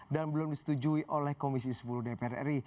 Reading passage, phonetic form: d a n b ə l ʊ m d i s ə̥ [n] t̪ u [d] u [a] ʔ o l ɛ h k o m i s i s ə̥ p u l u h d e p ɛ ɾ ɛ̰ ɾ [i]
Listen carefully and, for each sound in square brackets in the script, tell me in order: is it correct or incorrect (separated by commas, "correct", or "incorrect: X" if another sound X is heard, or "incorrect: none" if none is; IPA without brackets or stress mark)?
incorrect: none, incorrect: d͡ʒ, incorrect: i, correct